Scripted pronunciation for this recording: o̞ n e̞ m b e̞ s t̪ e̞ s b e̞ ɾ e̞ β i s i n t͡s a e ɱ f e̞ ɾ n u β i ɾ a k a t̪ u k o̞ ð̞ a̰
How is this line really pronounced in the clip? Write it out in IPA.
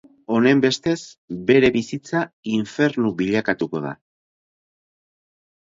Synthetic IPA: o̞ n e̞ m b e̞ s t̪ e̞ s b e̞ ɾ e̞ β i s i t͡s a i ɱ f e̞ ɾ n u β i ʎ a k a t̪ u k o̞ ð̞ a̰